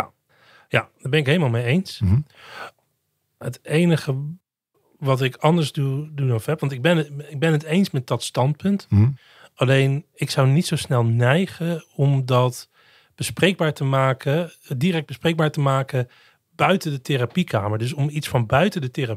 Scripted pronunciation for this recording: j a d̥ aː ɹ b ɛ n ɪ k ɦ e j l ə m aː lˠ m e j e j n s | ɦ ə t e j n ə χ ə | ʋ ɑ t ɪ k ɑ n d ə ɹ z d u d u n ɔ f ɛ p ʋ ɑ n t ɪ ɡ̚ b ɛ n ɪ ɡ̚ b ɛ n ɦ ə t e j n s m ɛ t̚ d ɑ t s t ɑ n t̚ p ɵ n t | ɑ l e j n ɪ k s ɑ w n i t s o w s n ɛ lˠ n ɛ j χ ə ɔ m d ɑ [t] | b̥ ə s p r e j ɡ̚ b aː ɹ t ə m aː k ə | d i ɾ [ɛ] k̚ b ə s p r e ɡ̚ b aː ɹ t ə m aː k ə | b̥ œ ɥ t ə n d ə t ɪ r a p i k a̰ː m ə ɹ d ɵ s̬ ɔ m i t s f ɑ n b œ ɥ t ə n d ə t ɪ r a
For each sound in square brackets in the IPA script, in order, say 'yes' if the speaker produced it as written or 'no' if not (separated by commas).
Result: yes, yes